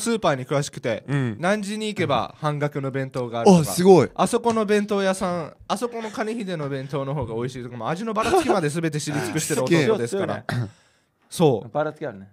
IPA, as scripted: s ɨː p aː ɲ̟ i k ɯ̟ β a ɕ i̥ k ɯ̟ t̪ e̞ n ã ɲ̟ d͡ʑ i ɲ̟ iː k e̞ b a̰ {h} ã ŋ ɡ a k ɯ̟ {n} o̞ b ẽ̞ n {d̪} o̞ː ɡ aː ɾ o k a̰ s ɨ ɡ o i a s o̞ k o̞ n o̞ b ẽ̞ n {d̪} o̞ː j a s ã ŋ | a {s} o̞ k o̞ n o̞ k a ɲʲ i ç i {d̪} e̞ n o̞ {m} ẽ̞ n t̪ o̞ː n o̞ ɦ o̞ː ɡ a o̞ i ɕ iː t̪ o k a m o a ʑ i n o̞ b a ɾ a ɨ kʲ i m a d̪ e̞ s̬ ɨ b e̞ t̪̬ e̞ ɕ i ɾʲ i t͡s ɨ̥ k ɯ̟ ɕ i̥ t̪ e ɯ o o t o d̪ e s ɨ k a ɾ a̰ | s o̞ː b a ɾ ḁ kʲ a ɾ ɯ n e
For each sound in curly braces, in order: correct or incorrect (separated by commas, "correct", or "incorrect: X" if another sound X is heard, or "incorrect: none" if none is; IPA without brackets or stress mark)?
correct, correct, incorrect: t̪, incorrect: t̪, correct, correct, incorrect: b